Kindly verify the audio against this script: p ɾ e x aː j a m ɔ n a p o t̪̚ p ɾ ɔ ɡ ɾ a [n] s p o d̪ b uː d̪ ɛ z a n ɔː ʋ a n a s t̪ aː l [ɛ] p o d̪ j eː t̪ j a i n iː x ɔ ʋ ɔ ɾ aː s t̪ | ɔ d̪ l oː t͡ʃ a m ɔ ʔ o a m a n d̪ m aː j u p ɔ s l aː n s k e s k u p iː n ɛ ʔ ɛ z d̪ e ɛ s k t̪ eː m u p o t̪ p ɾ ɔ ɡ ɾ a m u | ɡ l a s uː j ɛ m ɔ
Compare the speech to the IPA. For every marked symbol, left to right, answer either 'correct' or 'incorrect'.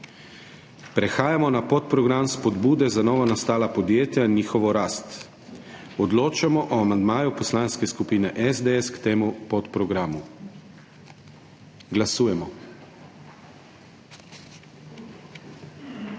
incorrect, incorrect

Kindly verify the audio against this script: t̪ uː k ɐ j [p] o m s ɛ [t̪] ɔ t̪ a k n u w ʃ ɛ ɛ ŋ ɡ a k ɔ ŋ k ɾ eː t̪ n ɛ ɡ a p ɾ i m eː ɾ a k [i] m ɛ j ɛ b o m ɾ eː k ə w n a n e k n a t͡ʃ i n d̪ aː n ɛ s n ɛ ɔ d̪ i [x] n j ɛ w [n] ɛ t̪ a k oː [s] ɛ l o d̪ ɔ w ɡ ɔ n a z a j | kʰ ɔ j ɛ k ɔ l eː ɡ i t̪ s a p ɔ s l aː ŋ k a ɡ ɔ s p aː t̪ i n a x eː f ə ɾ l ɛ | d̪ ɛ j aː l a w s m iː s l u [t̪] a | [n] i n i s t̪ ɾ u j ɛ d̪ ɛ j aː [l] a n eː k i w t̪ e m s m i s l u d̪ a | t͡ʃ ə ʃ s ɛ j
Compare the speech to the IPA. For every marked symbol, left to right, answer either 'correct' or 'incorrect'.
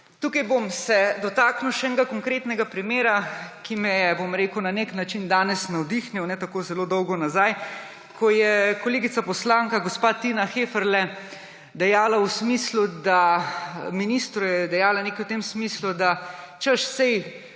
incorrect, incorrect, correct, correct, correct, incorrect, incorrect, incorrect, correct

